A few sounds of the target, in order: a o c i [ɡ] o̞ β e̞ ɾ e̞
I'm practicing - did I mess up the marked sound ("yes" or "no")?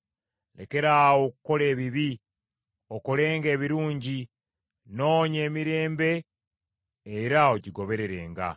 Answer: no